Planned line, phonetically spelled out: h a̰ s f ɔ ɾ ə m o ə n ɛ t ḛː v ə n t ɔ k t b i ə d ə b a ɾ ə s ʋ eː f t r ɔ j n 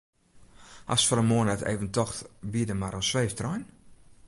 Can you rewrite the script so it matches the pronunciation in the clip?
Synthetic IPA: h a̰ s f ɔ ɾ ə m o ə n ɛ t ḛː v ə n t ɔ x t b i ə d ə m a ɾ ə s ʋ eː f t r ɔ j n